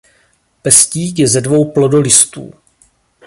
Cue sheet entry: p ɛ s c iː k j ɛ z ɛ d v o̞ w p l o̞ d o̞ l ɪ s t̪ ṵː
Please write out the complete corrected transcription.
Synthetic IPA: p ɛ s c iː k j ɛ z ɛ d v o̞ w p l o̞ d o̞ l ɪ s t̪ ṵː